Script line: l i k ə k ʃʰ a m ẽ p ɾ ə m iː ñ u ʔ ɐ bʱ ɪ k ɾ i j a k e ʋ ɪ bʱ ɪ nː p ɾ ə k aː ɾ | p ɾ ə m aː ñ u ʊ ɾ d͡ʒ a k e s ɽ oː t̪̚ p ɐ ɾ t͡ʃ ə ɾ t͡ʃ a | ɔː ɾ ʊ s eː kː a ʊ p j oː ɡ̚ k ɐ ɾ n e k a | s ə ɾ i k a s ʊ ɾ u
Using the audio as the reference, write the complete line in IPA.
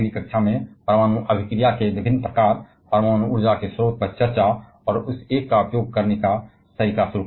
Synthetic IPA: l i k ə k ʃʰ a m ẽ p ɾ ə m aː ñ u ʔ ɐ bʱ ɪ k ɾ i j a k e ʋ ɪ bʱ ɪ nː p ɾ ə k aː ɾ | p ɾ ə m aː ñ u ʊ ɾ d͡ʒ a k e s ɾ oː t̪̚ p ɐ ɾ t͡ʃ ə ɾ t͡ʃ a | ɔː ɾ ʊ s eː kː a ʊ p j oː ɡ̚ k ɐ ɾ n e k a | s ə ɾ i k a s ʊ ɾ u